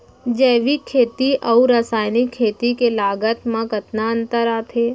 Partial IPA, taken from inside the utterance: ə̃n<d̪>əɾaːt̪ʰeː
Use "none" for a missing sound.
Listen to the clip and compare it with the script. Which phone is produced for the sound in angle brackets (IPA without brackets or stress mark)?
t̪